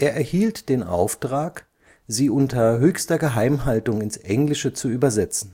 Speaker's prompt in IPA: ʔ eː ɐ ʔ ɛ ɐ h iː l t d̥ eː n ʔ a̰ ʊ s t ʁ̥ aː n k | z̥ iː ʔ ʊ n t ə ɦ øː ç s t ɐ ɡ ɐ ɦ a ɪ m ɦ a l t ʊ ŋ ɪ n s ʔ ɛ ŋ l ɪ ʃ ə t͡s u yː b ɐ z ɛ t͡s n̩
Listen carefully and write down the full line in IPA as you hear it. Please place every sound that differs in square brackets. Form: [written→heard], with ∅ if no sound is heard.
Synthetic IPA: ʔ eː ɐ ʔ ɛ ɐ h iː l t d̥ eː n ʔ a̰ ʊ [s→f] t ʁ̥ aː [n→∅] k | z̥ iː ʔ ʊ n t [ə→ɐ] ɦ øː ç s t ɐ ɡ [ɐ→ə] ɦ a ɪ m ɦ a l t ʊ ŋ ɪ n s ʔ ɛ ŋ l ɪ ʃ ə t͡s u yː b ɐ z ɛ t͡s n̩

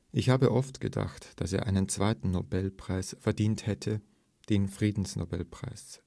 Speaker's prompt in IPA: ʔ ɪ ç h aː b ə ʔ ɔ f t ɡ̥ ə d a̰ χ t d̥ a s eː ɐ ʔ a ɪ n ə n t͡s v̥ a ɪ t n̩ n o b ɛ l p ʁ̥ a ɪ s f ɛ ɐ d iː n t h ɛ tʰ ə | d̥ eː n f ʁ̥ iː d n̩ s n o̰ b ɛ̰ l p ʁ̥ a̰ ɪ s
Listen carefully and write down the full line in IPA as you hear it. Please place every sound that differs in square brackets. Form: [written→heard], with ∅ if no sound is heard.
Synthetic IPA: ʔ ɪ ç h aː b ə ʔ ɔ f t ɡ̥ ə d a̰ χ t d̥ a s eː ɐ ʔ a ɪ n ə n t͡s v̥ a ɪ t n̩ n o b ɛ l p ʁ̥ a ɪ s f ɛ ɐ d iː n t h ɛ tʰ ə | d̥ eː n f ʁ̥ iː d n̩ s n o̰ b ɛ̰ l p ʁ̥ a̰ ɪ s

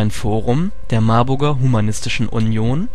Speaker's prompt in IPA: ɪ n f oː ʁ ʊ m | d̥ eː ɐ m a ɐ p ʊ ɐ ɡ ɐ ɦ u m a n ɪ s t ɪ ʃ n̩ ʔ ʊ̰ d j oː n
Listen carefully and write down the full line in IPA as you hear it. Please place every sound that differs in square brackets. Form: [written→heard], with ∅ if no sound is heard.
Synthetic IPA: ɪ n f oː ʁ ʊ m | d̥ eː ɐ m a ɐ [p→b] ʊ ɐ ɡ ɐ ɦ u m a n ɪ s t ɪ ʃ n̩ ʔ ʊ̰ [d→n] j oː n

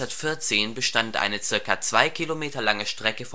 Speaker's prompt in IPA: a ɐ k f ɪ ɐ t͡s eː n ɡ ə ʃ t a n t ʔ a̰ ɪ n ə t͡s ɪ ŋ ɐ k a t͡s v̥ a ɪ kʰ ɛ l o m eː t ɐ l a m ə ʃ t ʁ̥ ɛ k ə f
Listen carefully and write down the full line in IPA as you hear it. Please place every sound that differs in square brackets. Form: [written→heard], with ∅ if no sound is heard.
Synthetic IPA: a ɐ [k→t] f ɪ ɐ t͡s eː n [ɡ→b] ə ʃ t a n t ʔ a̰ ɪ n ə t͡s ɪ [ŋ→∅] ɐ k a t͡s v̥ a ɪ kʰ [ɛ→i] l o m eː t ɐ l a [m→ŋ] ə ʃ t ʁ̥ ɛ k ə f

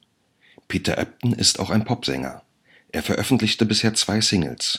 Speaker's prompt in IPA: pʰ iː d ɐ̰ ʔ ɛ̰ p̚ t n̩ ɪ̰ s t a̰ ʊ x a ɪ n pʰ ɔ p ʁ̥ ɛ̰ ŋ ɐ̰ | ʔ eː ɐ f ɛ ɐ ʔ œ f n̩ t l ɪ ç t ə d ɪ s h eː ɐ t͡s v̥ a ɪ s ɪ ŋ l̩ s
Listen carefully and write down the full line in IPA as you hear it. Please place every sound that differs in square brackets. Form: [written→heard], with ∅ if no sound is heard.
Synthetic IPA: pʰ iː [d→t] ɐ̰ ʔ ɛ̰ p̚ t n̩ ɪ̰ s t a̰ ʊ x a ɪ n pʰ ɔ p [ʁ̥→z̥] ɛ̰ ŋ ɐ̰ | ʔ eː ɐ f ɛ ɐ ʔ œ f n̩ t l ɪ ç t ə [d→b] ɪ s h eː ɐ t͡s v̥ a ɪ s ɪ ŋ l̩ s

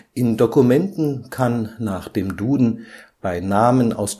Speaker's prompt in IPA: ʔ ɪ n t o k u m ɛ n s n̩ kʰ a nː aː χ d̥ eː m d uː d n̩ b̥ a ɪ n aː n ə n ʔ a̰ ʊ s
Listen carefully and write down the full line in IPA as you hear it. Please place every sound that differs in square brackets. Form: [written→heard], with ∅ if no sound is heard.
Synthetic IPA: ʔ ɪ n [t→d] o k u m ɛ n [s→t] n̩ kʰ a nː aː χ d̥ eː m d uː d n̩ b̥ a ɪ n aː [n→m] ə n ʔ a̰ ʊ s

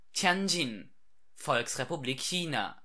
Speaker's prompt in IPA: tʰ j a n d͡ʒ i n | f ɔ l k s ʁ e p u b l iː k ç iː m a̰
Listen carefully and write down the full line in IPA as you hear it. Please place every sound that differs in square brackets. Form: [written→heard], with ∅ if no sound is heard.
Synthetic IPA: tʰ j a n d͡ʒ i n | f ɔ l k s ʁ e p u b l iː k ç iː [m→n] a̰

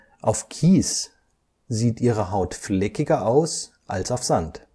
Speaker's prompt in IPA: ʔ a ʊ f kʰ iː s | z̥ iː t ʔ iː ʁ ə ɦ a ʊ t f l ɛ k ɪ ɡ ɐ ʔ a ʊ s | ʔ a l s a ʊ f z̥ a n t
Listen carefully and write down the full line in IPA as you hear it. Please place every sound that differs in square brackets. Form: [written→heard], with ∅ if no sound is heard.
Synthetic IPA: ʔ a ʊ f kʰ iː s | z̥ iː t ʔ iː ʁ ə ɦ a ʊ t f l ɛ k ɪ ɡ ɐ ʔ a ʊ s | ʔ a l s a ʊ f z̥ a n t

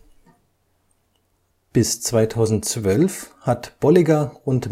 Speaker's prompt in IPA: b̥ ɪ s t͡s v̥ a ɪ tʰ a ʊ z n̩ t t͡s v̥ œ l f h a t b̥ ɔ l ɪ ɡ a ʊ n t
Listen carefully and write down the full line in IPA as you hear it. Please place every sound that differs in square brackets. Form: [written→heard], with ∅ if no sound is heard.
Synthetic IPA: b̥ ɪ s t͡s v̥ a ɪ tʰ a ʊ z n̩ t t͡s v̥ œ l f h a t b̥ ɔ l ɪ ɡ a ʊ n t

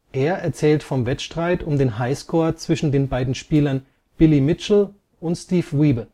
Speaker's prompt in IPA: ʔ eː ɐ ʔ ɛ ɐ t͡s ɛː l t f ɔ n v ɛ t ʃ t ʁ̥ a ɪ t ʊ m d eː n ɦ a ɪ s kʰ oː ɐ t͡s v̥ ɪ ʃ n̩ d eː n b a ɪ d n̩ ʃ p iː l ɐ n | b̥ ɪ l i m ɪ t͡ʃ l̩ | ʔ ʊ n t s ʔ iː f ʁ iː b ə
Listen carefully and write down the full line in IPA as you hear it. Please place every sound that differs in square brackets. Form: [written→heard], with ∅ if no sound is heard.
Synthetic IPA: ʔ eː ɐ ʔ ɛ ɐ t͡s ɛː l t f ɔ [n→m] v ɛ t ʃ t ʁ̥ a ɪ t ʊ m d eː n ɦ a ɪ s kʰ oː ɐ t͡s v̥ ɪ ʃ n̩ d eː n b a ɪ d n̩ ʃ p iː l ɐ n | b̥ ɪ l i m ɪ t͡ʃ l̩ | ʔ ʊ n t s [ʔ→t] iː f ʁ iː b ə

